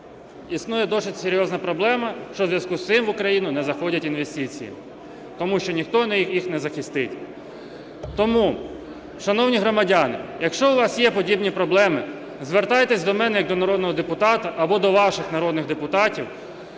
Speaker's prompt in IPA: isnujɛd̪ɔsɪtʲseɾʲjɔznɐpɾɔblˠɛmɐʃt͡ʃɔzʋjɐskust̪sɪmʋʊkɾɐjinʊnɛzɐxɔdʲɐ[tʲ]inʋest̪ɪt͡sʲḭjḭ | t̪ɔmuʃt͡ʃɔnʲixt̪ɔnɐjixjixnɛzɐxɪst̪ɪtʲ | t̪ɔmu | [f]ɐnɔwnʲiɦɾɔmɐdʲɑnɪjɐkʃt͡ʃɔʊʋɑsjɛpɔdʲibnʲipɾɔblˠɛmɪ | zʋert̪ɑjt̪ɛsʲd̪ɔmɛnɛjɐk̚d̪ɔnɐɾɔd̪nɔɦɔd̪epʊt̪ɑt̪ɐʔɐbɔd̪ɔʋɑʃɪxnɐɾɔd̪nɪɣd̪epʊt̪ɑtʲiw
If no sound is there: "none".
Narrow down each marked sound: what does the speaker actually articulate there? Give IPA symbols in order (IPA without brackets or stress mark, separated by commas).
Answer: tʲ, ʃ